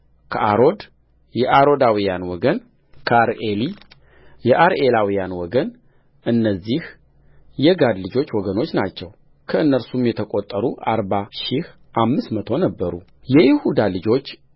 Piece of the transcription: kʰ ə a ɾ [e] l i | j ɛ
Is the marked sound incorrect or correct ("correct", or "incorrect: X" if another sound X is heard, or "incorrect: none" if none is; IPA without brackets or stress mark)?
correct